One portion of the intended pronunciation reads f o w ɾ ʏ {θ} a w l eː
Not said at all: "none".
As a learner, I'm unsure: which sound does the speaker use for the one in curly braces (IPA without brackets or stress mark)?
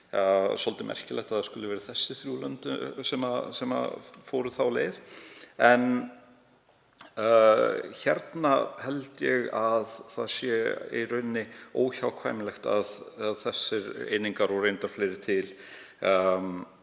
θ